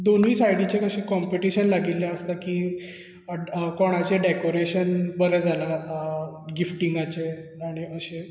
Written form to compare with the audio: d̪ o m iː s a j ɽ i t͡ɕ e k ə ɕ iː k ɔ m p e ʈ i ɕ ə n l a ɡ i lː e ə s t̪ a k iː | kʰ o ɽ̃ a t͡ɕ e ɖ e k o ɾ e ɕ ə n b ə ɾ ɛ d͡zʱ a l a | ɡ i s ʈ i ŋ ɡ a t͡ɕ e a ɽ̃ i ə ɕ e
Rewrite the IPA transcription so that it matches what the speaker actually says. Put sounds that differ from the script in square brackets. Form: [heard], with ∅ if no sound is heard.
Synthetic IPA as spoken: d̪ o [n] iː s a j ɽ i t͡ɕ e k ə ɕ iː k ɔ m p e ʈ i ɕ ə n l a ɡ i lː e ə s t̪ a k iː | [k] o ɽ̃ a t͡ɕ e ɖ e k o ɾ e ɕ ə n b ə ɾ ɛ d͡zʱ a l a | ɡ i [f] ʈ i ŋ ɡ a t͡ɕ e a ɽ̃ i ə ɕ e